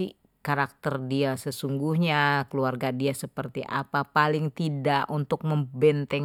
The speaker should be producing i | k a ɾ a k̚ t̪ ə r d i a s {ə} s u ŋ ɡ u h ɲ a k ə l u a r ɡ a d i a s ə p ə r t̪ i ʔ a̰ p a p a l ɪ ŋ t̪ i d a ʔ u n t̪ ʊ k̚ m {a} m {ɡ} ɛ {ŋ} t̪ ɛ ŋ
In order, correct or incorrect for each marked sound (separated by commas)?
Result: correct, incorrect, incorrect, incorrect